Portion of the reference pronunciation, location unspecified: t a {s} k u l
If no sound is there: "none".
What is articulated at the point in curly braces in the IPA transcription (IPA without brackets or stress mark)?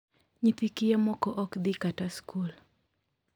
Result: s